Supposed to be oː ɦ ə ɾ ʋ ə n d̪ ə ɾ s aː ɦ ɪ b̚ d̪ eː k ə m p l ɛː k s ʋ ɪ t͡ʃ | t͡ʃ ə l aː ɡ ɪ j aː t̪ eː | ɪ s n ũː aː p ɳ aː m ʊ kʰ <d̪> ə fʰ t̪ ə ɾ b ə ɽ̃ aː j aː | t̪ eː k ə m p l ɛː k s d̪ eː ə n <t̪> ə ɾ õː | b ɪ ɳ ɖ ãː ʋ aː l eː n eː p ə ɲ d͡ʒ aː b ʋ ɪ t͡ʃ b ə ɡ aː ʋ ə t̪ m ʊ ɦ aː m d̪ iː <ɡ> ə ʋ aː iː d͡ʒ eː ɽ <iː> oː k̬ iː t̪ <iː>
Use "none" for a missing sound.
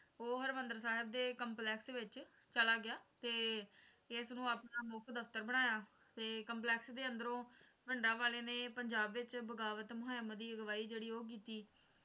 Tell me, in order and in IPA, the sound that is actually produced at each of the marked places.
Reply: d̪, d̪, ɡ, iː, iː

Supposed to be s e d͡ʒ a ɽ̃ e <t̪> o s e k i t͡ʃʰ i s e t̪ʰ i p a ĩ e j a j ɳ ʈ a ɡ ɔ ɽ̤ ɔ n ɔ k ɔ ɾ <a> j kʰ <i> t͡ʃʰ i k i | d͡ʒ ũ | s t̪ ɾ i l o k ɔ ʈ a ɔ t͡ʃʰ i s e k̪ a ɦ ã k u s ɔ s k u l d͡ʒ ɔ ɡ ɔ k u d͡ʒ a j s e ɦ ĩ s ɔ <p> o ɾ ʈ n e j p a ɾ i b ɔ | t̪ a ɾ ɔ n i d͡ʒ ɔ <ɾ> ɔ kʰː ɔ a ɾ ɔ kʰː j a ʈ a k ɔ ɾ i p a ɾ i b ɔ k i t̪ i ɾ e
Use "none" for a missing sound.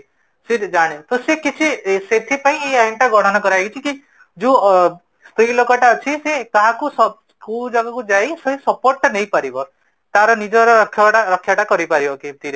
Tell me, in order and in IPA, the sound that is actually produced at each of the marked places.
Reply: t̪, a, i, p, ɾ

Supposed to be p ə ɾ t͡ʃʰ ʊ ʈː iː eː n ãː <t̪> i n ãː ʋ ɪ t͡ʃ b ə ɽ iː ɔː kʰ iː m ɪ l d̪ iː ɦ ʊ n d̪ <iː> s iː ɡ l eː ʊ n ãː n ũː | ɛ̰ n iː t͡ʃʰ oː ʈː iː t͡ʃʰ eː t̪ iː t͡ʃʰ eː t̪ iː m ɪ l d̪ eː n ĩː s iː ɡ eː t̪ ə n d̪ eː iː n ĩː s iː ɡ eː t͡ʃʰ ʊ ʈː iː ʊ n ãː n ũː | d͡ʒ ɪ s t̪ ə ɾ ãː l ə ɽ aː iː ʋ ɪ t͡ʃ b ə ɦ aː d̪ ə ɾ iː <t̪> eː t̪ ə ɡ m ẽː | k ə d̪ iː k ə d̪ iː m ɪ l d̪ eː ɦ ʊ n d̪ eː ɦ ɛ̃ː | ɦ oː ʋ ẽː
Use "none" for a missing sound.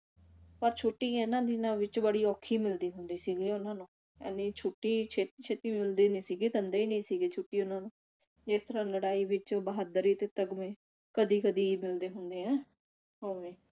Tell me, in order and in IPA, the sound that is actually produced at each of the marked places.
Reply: d̪, iː, t̪

